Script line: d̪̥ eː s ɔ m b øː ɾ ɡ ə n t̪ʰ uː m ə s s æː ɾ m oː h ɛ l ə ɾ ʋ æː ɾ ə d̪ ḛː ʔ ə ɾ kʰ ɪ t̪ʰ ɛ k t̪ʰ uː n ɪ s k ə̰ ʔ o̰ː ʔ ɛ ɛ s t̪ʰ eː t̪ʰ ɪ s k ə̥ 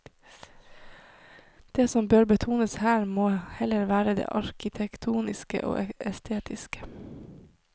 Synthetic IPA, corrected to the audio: d̪̥ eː s ɔ m b øː ɾ b ə t̪ʰ uː n ə s h æː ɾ m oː h ɛ l ə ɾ ʋ æː ɾ ə d̪ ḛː ʔ ɑ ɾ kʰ ɪ t̪ʰ ɛ k t̪ʰ uː n ɪ s k ə̰ ʔ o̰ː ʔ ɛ ɛ s t̪ʰ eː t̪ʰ ɪ s k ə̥